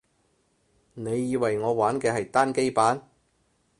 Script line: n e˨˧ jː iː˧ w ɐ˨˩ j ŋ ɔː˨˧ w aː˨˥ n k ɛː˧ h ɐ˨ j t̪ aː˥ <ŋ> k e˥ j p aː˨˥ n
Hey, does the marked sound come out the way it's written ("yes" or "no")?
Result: no